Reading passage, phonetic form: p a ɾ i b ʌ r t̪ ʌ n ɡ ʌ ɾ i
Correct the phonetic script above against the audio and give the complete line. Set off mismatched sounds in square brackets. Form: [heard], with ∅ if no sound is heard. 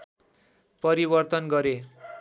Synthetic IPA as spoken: p [ʌ] ɾ i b ʌ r t̪ ʌ n ɡ ʌ ɾ [e]